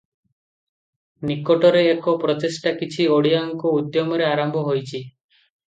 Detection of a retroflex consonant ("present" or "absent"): present